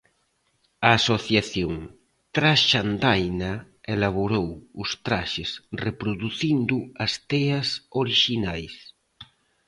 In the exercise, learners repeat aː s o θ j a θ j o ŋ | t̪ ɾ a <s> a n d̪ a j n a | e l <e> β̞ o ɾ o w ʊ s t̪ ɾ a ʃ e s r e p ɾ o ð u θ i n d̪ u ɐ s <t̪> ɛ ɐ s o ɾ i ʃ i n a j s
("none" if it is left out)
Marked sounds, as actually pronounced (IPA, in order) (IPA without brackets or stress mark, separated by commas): ʃ, a, t̪